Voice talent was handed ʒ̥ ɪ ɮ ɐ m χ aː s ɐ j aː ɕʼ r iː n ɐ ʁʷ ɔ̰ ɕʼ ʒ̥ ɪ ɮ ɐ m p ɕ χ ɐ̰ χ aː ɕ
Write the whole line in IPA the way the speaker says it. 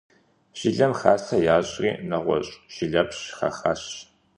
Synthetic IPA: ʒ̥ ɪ ɮ ɐ m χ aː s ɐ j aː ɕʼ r iː n ɐ ʁʷ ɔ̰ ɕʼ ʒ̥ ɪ ɮ ɐ p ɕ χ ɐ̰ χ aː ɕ